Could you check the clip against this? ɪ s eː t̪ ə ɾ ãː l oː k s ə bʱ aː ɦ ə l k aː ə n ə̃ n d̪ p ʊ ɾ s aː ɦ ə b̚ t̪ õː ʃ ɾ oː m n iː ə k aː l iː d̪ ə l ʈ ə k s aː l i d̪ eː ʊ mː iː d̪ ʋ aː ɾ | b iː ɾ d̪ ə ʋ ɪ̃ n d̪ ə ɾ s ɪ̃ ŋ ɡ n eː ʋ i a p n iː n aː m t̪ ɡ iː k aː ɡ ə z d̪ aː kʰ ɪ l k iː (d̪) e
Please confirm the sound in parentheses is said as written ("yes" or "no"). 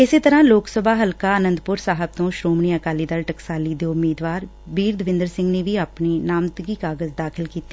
no